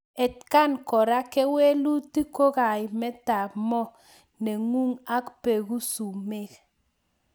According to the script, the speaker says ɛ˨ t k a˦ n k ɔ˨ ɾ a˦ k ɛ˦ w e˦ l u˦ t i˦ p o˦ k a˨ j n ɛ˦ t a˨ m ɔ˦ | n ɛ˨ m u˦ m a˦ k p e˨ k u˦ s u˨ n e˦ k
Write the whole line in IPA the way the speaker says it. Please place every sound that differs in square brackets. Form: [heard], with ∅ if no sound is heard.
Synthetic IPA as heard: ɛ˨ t k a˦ n k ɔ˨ ɾ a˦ k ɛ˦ w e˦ l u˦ t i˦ [k] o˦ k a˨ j [m] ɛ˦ t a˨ m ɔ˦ | n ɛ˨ [ŋ] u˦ [ŋ] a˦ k p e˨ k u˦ s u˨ [m] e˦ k